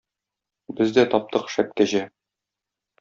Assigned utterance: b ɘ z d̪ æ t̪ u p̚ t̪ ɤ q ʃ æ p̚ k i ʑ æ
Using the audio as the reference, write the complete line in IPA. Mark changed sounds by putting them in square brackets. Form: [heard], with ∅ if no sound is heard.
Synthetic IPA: b ɘ z d̪ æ t̪ [ɒ] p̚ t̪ ɤ q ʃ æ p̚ k [æ] ʑ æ